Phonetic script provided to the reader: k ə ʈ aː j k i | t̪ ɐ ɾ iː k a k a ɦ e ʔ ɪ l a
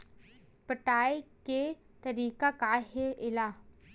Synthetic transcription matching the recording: p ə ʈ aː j k e | t̪ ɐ ɾ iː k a k a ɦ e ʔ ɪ l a